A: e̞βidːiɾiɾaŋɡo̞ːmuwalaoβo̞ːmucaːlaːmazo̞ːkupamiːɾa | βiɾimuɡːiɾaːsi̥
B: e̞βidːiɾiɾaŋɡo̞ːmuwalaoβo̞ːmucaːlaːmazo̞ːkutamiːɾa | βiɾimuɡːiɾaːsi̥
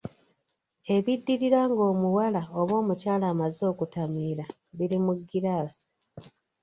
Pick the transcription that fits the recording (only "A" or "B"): B